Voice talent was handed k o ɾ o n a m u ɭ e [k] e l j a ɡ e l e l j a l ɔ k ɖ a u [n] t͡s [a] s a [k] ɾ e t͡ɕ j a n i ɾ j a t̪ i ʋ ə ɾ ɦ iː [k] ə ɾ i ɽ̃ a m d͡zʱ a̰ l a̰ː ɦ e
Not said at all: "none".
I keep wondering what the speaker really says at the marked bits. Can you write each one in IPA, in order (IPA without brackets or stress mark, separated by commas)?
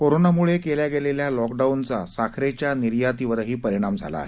k, n, a, kʰ, p